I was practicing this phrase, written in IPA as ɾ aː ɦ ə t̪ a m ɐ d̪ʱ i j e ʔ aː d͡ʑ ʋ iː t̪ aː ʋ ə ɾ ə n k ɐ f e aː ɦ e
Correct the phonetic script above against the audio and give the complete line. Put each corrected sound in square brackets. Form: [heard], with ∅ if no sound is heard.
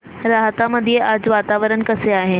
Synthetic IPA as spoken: ɾ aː ɦ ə t̪ a m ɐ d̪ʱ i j e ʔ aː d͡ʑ ʋ [aː] t̪ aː ʋ ə ɾ ə n k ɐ [s] e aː ɦ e

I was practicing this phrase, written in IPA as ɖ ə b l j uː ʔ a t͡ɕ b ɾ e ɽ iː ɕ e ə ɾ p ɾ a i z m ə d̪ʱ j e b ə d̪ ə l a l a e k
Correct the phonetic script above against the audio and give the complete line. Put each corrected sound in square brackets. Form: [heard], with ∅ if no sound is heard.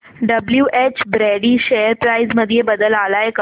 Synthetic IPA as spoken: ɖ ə b l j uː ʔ [e] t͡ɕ b ɾ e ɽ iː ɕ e ə ɾ p ɾ a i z m ə d̪ʱ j e b ə d̪ ə l a l a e k

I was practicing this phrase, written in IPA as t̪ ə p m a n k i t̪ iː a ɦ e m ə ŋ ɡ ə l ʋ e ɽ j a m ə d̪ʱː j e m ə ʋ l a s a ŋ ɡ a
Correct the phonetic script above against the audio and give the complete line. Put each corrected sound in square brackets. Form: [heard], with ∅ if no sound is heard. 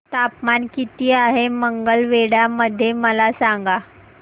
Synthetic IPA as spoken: t̪ [a] p m a n k i t̪ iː a ɦ e m ə ŋ ɡ ə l ʋ e ɽ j a m ə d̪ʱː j e m ə [∅] l a s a ŋ ɡ a

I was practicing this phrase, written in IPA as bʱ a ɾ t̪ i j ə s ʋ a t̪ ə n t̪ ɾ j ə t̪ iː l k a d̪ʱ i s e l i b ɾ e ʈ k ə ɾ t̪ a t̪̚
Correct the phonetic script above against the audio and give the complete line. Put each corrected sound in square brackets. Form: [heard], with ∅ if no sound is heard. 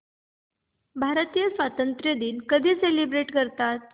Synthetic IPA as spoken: bʱ a ɾ t̪ i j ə s ʋ a t̪ ə n t̪ ɾ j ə [d̪] iː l k [ə] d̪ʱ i s e l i b ɾ e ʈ k ə ɾ t̪ a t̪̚

